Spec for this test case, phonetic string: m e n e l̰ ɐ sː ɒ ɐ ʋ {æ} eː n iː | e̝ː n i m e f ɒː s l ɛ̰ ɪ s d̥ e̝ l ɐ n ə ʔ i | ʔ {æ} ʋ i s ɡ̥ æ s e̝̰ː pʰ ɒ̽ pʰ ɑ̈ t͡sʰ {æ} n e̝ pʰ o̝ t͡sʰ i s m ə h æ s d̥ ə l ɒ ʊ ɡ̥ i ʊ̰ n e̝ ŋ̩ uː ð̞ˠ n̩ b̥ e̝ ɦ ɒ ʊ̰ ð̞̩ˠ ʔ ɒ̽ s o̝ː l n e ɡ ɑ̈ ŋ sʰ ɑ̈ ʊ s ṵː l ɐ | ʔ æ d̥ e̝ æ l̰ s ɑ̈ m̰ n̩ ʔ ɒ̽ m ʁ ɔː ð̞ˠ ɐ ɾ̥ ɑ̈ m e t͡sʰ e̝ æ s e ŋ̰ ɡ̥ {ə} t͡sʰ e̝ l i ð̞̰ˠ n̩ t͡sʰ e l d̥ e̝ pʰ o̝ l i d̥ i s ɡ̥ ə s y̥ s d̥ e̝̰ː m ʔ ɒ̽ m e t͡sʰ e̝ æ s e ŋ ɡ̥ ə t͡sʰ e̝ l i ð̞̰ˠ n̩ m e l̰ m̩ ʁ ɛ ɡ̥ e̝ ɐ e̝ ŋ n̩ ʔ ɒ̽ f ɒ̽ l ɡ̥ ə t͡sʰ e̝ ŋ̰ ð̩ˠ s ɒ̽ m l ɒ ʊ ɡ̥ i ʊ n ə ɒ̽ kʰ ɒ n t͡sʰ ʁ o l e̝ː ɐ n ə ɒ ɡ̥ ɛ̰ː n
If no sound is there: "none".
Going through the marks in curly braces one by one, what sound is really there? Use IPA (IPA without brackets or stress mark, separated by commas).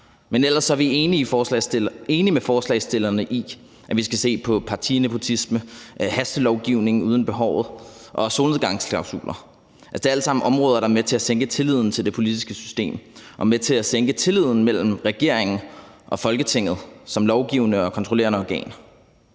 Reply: i, æ, i, ə